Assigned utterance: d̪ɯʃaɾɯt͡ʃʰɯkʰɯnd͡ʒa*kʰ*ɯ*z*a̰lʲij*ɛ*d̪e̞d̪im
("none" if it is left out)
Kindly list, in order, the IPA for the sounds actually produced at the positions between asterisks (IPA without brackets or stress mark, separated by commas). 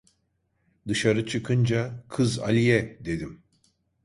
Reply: kʰ, z, ɛ